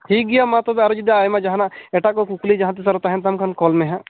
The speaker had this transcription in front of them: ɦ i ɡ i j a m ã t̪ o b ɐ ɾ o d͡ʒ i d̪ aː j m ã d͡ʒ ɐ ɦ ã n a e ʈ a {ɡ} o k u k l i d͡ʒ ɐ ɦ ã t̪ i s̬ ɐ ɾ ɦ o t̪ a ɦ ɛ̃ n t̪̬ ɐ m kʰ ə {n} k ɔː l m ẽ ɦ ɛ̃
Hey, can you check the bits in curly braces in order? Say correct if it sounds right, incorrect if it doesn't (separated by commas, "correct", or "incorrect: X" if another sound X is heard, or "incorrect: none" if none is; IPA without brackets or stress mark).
incorrect: k, correct